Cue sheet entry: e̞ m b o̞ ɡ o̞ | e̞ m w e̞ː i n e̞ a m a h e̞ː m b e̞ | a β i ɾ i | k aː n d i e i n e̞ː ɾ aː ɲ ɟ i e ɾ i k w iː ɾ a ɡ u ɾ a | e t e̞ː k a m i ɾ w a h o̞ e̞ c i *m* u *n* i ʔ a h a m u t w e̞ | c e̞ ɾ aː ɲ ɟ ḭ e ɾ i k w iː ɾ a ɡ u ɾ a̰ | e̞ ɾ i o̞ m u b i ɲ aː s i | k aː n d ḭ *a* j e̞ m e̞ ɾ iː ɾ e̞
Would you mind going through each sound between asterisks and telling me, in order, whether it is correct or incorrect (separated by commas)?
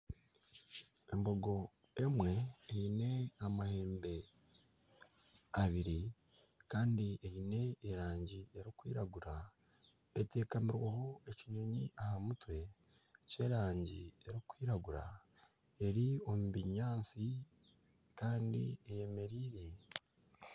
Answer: incorrect, incorrect, incorrect